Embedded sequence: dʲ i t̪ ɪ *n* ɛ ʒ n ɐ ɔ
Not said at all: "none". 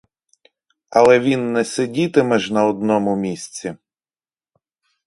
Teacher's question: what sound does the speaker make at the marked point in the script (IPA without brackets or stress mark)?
m